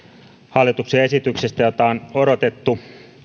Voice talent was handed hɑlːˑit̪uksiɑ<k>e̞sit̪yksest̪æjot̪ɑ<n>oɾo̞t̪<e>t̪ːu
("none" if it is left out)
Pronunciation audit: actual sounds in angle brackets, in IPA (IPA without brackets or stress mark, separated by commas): none, n, e